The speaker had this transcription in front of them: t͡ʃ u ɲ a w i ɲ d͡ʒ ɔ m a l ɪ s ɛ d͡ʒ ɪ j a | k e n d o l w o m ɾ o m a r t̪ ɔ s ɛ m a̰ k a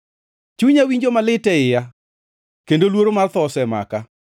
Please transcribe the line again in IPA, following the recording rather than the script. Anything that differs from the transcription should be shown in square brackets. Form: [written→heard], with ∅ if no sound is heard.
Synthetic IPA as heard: t͡ʃ u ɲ a w i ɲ d͡ʒ [ɔ→o] m a l ɪ [s→t] ɛ [d͡ʒ→∅] ɪ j a | k e n d o l w o [m→∅] ɾ o m a r t̪ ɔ s ɛ m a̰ k a